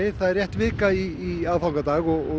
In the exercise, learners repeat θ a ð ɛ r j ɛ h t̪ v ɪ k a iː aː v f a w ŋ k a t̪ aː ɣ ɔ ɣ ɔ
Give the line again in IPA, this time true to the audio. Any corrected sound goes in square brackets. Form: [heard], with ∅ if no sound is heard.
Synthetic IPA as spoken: θ a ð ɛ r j ɛ h t̪ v [ɪː] k a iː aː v f a w ŋ k a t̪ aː ɣ ɔ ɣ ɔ

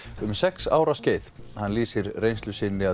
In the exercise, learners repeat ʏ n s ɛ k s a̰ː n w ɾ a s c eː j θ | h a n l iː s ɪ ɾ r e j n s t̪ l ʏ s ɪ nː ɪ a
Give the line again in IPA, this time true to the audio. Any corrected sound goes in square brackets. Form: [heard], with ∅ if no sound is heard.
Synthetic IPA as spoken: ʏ [m] s ɛ k s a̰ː [∅] w ɾ a s c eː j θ | h a n l iː s ɪ ɾ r e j n s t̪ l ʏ s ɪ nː ɪ a

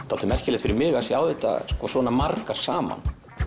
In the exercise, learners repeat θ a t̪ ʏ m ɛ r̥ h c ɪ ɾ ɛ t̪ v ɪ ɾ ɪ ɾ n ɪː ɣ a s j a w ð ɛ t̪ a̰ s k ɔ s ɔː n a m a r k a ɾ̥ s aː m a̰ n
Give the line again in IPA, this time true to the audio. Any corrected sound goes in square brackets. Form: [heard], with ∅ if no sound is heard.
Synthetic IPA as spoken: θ a t̪ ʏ m ɛ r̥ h c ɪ [l] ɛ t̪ [f] ɪ ɾ ɪ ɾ [m] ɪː ɣ a s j a w ð ɛ t̪ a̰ s k ɔ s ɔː n a m a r k a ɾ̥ s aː m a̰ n

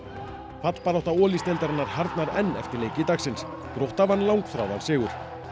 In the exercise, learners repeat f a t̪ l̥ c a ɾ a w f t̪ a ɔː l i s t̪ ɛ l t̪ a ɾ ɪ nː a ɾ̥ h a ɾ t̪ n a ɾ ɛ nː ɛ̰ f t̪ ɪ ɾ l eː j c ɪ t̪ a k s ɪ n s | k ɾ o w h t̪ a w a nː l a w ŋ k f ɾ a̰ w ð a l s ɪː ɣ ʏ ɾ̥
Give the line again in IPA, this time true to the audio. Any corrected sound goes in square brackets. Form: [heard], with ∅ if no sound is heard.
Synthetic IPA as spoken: f a t̪ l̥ [p] a ɾ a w [h] t̪ a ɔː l i s t̪ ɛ l t̪ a ɾ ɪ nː a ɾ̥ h a ɾ t̪ n a ɾ ɛ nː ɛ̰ f t̪ ɪ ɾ l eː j c ɪ t̪ a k s ɪ n s | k ɾ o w h t̪ a [v] a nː l a w ŋ k f ɾ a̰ w ð a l s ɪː ɣ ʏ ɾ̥

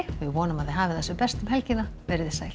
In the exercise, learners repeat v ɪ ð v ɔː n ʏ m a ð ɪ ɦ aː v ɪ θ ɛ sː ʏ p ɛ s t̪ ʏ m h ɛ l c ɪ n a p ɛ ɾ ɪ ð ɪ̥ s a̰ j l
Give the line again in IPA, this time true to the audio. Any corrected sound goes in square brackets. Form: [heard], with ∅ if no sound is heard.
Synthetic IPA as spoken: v ɪ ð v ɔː n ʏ m a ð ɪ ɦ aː v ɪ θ ɛ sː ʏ p ɛ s t̪ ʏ m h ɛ l c ɪ n a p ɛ ɾ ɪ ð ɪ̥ s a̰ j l

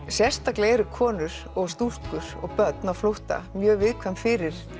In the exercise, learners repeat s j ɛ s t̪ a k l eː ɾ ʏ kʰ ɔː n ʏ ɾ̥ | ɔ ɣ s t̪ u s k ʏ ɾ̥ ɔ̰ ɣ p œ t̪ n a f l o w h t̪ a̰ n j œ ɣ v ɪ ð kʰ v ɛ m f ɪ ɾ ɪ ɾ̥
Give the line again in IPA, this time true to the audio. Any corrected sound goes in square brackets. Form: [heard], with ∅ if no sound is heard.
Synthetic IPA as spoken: s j ɛ s t̪ a k l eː ɾ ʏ kʰ ɔː n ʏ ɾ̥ | ɔ ɣ s t̪ u s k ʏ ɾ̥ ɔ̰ ɣ p œ t̪ n a f l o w h t̪ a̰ [m] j [œː] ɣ v ɪ ð kʰ v ɛ m f ɪ ɾ ɪ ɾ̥

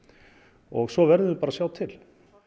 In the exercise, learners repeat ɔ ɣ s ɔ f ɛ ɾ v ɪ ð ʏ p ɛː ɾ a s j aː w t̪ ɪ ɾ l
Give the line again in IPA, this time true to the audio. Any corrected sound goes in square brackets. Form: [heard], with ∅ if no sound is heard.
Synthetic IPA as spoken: ɔ ɣ s ɔ [v] ɛ ɾ [ð] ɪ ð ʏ p [aː] ɾ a s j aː w [t̪ʰ] ɪ [∅] l

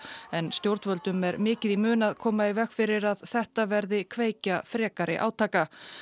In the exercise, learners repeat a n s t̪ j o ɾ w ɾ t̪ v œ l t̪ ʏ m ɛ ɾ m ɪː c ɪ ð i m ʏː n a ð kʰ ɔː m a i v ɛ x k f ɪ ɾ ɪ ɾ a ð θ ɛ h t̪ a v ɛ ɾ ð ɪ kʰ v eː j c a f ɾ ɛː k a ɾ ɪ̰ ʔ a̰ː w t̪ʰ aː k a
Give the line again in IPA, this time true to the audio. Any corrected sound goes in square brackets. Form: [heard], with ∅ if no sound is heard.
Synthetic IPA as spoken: [ɛ] n s t̪ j o [∅] w ɾ t̪ v œ l t̪ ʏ m ɛ ɾ m ɪː c ɪ ð i m ʏː n a ð kʰ ɔː m a i v ɛ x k f ɪ ɾ ɪ ɾ a ð θ ɛ h t̪ a v ɛ ɾ ð ɪ kʰ v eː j c a f ɾ ɛː k a ɾ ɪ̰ ʔ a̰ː w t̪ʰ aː k a

